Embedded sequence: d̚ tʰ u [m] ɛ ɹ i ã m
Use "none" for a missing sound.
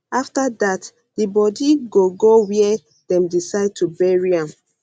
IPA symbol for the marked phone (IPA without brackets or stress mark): b